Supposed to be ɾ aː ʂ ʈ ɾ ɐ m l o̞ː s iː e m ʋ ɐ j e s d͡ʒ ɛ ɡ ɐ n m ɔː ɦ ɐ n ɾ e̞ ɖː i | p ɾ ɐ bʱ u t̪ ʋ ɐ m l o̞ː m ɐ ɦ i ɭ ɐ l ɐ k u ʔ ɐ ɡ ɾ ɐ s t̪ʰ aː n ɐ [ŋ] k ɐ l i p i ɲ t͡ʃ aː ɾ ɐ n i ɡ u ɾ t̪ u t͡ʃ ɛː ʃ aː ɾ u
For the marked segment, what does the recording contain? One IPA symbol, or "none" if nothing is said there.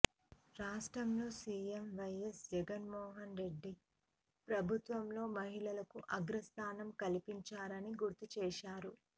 m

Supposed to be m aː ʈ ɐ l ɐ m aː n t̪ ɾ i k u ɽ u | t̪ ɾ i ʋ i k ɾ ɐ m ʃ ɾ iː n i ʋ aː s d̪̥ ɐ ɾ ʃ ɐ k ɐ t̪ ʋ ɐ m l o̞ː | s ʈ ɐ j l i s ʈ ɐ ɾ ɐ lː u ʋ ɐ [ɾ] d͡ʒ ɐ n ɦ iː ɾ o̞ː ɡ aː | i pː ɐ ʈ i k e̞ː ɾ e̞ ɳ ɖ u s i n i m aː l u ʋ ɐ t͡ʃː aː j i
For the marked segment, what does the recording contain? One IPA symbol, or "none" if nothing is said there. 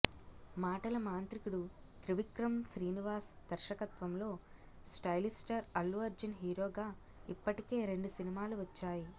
ɾ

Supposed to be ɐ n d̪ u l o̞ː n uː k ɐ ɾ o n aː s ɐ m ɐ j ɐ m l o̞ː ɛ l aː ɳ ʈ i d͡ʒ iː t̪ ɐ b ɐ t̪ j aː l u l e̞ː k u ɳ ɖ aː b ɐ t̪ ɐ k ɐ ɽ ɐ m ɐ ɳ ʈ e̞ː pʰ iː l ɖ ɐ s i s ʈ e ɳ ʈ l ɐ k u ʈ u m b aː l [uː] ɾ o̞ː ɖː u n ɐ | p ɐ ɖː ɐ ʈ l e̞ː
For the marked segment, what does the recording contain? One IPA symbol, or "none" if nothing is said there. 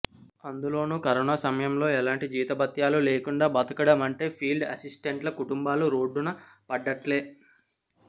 u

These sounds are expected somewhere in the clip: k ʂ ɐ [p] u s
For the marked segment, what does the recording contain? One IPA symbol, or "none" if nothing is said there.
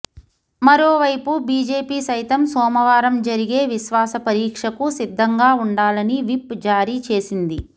k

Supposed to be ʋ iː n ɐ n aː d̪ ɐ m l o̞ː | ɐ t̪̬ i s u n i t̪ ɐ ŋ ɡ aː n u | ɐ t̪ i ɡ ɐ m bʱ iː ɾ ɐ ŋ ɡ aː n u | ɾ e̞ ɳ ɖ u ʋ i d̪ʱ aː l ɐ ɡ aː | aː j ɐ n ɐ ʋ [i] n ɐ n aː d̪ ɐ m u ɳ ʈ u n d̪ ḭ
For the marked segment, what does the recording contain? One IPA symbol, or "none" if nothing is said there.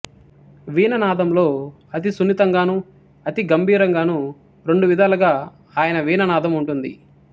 iː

